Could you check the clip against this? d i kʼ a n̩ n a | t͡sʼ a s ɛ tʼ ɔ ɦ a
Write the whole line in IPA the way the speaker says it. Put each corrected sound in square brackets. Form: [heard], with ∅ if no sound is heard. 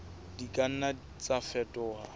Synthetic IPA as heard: d i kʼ a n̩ n a | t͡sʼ a [f] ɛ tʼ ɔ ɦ a